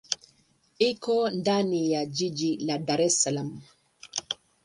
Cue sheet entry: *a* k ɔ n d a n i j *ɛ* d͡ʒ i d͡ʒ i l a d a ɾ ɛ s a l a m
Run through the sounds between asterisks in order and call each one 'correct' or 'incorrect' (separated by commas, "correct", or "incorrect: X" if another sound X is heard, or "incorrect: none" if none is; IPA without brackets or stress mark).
incorrect: i, incorrect: a